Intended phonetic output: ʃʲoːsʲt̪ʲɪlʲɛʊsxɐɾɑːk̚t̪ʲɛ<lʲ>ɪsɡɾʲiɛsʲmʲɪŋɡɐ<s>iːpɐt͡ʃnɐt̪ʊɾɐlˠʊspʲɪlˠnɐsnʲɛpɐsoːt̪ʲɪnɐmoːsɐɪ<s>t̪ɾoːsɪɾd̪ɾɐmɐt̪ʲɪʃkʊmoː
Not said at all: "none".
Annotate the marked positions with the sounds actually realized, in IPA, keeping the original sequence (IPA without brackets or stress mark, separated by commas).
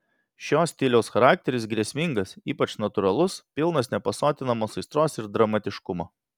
ɾʲ, s, s